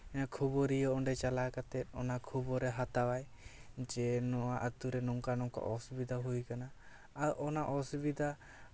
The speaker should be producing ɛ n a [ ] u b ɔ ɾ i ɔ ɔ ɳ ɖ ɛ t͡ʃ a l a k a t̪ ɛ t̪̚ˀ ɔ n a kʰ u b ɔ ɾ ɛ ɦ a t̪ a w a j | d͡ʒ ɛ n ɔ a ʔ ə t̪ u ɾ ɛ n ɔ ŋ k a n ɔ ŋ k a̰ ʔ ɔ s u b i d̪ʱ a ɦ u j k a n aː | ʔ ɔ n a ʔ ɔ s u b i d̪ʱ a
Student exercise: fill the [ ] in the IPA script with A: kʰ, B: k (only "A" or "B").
A